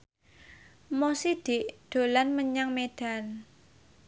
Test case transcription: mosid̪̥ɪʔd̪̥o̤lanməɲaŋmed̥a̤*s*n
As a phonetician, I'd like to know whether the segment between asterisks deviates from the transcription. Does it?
yes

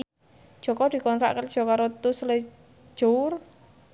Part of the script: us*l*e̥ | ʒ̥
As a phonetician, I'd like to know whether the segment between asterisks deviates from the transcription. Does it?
no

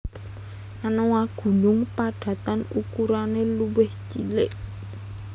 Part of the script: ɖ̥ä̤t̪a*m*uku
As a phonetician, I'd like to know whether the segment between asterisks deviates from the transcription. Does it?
yes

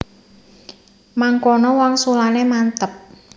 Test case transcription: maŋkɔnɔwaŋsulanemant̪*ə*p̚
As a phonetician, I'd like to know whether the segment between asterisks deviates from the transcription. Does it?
no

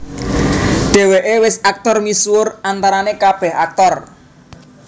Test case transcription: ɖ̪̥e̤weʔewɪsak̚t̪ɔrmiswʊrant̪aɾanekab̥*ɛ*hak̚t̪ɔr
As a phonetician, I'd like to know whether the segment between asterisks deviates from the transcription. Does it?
no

